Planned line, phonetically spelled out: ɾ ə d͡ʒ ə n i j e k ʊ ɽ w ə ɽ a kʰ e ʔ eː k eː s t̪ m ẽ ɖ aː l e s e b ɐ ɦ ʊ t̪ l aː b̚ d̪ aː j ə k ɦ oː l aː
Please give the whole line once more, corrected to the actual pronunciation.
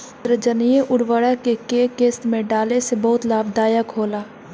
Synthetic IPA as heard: ɾ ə d͡ʒ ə n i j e ʔ ʊ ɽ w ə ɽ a k e k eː k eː s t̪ m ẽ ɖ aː l e s e b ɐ ɦ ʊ t̪ l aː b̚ d̪ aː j ə k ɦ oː l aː